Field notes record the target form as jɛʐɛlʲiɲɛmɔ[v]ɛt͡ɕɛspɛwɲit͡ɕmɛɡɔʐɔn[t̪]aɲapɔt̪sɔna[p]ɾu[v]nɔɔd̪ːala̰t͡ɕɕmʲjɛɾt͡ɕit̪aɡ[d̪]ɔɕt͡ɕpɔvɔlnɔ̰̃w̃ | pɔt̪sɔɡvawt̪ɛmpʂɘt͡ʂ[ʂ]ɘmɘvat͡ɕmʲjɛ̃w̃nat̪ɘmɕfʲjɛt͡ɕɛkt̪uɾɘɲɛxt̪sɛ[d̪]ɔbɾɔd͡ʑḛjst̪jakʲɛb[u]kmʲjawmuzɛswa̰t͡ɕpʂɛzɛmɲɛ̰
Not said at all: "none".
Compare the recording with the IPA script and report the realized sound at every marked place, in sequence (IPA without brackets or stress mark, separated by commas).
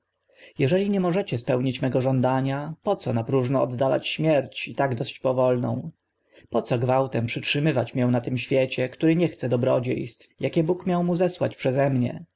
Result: ʐ, d̪, p, ʐ, d̪, ʂ, d̪, u